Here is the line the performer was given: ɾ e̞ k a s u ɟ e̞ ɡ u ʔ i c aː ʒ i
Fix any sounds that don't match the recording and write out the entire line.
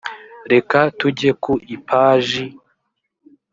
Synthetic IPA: ɾ e̞ k a t u ɟ e̞ k u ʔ i p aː ʒ i